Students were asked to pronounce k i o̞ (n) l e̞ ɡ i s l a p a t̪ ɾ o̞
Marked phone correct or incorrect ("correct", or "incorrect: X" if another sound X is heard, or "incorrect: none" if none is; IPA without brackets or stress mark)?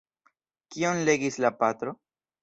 correct